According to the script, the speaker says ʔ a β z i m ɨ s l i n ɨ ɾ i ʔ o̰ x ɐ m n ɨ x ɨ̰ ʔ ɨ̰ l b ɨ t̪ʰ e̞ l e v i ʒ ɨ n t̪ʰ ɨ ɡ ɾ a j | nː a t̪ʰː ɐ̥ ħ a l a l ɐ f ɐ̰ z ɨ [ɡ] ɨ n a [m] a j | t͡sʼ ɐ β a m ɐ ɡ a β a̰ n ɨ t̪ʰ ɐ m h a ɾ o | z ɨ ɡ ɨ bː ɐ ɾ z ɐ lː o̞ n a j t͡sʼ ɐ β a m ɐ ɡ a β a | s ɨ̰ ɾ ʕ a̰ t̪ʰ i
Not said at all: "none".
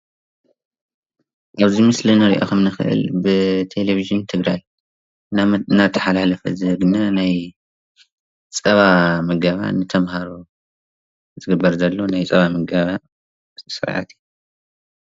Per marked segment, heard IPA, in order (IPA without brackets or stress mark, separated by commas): ɡ, n